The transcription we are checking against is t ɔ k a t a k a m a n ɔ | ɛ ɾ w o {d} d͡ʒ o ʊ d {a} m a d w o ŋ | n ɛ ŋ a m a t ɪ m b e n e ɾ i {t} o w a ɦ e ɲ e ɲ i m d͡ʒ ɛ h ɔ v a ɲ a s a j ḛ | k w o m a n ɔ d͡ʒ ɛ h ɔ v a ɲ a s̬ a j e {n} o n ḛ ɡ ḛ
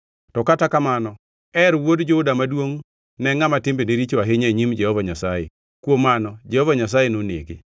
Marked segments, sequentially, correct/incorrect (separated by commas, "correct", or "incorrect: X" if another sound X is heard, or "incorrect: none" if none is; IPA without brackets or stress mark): correct, correct, incorrect: t͡ʃ, correct